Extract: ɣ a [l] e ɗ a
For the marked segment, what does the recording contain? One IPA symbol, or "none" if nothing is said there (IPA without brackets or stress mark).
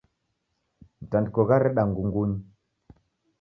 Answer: ɾ